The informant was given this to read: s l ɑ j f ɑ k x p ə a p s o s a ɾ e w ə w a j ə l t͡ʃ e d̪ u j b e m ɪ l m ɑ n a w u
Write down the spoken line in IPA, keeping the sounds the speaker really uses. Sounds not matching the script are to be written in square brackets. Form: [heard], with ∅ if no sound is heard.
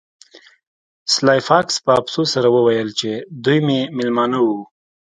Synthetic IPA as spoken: s l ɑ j f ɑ k [s] p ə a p s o s a ɾ [a] w ə w a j ə l t͡ʃ e d̪ u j [m] e m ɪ l m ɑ n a w u